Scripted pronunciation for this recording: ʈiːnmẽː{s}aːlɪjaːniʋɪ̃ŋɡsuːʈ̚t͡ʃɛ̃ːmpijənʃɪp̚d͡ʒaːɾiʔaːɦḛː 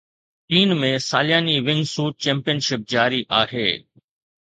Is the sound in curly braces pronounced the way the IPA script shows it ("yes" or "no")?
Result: yes